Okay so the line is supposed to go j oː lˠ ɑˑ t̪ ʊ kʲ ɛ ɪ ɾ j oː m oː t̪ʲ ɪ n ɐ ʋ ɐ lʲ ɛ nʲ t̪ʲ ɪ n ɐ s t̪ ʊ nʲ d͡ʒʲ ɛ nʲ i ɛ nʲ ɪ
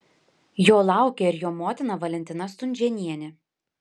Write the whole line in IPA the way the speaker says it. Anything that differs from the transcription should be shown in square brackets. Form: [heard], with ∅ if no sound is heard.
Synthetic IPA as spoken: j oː lˠ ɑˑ [∅] ʊ kʲ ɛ ɪ ɾ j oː m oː t̪ʲ ɪ n ɐ ʋ ɐ lʲ ɛ nʲ t̪ʲ ɪ n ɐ s t̪ ʊ nʲ d͡ʒʲ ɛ nʲ i ɛ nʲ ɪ